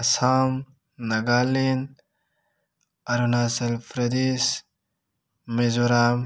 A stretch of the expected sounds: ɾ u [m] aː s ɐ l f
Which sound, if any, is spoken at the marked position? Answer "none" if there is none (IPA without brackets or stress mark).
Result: n